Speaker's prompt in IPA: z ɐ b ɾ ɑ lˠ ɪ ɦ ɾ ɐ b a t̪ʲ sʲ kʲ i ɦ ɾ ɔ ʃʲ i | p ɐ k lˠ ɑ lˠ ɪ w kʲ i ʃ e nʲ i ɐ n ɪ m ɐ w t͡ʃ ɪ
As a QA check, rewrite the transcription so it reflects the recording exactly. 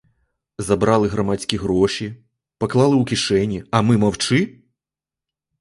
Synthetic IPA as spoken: z ɐ b ɾ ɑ lˠ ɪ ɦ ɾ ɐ m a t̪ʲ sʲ kʲ i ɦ ɾ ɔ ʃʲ i | p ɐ k lˠ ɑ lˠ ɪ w kʲ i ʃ ɛ nʲ i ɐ m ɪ m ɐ w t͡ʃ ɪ